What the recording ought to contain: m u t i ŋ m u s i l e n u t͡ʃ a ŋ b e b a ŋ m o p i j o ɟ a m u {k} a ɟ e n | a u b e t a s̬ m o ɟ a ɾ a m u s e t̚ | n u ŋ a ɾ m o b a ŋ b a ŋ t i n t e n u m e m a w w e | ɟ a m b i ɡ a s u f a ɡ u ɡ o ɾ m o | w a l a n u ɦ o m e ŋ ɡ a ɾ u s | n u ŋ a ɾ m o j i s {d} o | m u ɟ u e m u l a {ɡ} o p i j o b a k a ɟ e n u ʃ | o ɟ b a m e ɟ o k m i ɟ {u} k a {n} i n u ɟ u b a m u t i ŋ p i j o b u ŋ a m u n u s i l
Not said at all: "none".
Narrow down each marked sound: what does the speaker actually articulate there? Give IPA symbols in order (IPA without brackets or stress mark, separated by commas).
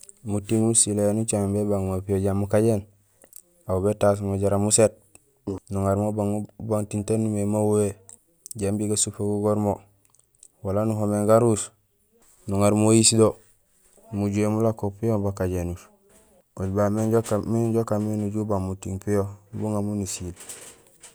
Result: k, d, k, o, m